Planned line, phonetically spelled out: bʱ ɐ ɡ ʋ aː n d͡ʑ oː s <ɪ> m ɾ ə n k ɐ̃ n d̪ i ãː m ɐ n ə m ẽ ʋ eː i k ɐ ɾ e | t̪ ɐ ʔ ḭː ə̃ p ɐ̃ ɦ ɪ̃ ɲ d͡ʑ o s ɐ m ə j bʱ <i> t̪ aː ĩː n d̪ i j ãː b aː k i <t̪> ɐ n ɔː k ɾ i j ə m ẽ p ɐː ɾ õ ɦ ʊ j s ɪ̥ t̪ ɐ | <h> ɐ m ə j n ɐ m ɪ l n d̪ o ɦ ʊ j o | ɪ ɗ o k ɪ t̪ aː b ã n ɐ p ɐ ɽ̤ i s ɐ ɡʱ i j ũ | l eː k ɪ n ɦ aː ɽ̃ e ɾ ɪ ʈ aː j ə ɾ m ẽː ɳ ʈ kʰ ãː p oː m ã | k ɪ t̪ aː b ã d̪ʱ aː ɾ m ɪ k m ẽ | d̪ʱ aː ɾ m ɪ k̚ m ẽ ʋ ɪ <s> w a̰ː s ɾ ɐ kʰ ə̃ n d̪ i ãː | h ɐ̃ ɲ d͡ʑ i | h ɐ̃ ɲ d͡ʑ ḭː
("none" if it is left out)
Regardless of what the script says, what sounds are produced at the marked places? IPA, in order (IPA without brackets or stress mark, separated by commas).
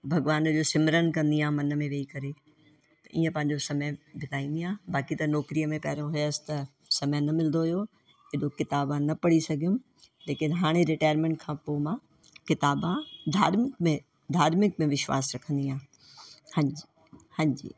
ɪ, ɪ, t̪, s, ʃ